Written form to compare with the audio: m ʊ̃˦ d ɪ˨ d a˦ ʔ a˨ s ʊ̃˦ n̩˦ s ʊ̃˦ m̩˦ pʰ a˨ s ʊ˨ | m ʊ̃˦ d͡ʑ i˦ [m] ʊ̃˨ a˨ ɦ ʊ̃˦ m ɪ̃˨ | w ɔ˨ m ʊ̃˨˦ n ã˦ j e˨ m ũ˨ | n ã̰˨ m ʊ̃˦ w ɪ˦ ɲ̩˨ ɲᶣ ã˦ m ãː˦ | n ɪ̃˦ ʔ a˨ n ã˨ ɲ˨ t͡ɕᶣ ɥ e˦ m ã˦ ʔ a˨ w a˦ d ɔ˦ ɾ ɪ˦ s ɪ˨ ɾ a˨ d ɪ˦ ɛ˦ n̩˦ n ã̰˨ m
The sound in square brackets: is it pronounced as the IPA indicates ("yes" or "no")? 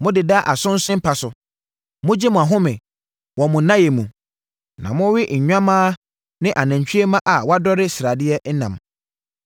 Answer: yes